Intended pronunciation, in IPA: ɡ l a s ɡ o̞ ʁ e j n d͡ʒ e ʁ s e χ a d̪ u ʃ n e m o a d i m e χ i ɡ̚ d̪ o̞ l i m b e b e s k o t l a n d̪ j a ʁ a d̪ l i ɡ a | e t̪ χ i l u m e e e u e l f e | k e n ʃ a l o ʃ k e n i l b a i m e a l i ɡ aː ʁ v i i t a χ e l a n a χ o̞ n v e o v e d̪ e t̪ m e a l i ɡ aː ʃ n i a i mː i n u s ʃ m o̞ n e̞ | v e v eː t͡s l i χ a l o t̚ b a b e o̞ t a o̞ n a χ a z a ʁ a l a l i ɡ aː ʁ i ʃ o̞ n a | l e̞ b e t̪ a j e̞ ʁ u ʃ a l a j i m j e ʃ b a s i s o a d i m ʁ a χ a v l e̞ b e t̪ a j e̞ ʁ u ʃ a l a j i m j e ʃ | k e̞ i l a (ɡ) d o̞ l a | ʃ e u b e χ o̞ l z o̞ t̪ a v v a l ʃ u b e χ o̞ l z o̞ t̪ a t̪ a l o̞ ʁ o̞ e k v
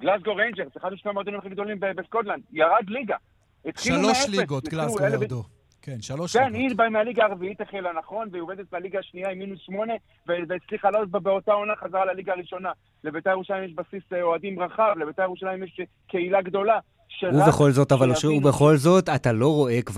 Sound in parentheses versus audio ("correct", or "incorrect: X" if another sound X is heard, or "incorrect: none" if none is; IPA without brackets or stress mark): correct